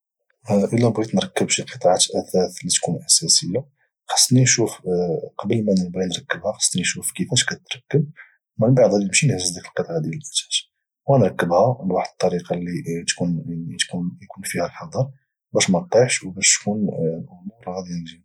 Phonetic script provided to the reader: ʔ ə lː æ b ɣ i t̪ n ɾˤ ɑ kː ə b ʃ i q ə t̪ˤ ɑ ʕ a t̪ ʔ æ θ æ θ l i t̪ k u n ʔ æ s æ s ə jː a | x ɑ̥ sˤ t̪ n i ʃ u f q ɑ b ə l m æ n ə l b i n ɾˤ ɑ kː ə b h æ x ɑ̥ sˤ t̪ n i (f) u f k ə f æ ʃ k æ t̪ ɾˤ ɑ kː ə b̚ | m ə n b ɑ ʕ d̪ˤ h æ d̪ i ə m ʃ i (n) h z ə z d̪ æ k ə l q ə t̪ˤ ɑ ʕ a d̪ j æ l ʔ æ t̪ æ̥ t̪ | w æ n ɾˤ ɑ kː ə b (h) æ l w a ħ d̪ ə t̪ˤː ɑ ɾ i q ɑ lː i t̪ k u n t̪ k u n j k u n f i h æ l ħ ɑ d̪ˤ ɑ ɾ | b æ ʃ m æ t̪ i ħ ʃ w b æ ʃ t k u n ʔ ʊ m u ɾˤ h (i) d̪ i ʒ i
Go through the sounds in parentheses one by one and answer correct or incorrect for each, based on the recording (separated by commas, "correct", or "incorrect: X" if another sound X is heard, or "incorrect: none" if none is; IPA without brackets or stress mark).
incorrect: ʃ, correct, correct, incorrect: æ